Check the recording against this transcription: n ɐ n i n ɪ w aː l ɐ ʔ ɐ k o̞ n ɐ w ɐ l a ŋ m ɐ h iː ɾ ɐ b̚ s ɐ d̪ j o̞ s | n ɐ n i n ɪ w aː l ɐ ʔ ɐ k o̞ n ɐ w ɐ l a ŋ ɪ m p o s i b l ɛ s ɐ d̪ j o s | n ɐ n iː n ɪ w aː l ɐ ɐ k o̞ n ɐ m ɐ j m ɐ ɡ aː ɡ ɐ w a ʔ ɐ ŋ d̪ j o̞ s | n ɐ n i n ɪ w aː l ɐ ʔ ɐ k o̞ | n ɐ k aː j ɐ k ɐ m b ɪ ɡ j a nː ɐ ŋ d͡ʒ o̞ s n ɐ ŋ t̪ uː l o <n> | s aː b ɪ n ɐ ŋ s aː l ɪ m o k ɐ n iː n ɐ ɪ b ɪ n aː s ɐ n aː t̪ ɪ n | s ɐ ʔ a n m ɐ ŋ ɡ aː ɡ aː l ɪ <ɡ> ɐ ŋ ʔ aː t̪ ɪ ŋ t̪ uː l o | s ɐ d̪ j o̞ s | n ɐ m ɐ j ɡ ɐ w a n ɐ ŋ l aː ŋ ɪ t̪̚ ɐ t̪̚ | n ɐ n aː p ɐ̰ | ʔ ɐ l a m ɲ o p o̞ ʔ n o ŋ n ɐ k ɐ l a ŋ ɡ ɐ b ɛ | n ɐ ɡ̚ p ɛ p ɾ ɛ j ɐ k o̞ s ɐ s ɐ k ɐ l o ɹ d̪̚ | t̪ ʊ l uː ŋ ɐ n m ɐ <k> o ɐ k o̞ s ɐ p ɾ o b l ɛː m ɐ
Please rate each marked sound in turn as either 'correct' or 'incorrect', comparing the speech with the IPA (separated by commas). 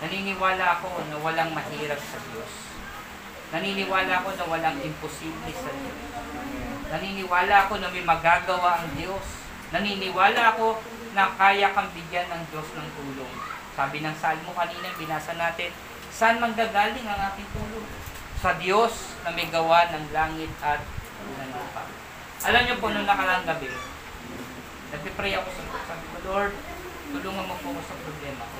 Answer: incorrect, incorrect, incorrect